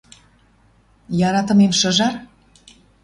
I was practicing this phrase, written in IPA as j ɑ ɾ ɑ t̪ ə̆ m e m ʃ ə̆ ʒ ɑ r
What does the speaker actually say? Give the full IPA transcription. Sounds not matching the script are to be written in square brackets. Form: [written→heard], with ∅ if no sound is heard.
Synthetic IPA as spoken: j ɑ ɾ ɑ t̪ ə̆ m e m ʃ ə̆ ʒ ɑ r